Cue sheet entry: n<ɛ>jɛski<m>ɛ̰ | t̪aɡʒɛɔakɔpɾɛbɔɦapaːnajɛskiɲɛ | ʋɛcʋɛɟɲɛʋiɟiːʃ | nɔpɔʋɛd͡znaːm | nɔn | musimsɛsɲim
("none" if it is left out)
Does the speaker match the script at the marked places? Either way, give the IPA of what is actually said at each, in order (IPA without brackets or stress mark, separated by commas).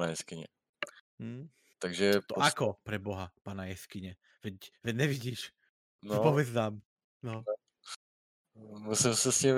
a, ɲ